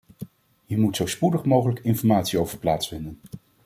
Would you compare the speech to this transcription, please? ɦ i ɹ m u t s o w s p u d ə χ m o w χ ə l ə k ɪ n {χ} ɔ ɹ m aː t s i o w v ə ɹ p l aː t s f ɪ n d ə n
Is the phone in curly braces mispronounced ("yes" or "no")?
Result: yes